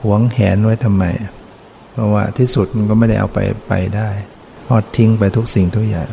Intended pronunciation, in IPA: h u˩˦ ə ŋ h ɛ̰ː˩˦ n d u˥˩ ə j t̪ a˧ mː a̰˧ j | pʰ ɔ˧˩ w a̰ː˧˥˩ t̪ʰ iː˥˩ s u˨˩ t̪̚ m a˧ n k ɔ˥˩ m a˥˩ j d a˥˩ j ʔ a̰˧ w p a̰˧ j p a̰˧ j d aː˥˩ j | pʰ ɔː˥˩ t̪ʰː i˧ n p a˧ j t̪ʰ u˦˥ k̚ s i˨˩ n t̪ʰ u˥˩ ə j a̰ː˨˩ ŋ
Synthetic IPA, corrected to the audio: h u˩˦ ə ŋ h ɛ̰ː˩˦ n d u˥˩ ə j t̪ʰ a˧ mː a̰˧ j | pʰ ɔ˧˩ w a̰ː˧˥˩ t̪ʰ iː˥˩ s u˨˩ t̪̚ m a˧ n k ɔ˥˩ m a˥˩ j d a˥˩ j ʔ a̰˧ w p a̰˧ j p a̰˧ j d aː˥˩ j | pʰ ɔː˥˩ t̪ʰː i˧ ŋ p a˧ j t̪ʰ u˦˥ k̚ s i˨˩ ŋ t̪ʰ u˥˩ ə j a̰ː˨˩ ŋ